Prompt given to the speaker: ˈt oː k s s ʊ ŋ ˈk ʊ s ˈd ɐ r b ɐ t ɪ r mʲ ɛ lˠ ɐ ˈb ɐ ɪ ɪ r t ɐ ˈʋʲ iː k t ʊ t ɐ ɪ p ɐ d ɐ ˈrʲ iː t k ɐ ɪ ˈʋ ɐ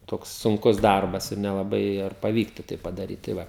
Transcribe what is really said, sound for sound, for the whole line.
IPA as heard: ˈt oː k s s ʊ ŋ ˈk ʊ s ˈd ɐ r b ɐ s ɪ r nʲ ɛ lˠ ɐ ˈb ɐ ɪ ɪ r p ɐ ˈʋʲ iː k t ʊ t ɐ ɪ p ɐ d ɐ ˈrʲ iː t t ɐ ɪ ˈʋ ɐ